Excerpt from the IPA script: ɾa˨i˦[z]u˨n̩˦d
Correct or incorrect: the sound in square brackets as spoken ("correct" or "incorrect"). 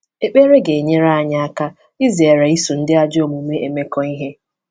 incorrect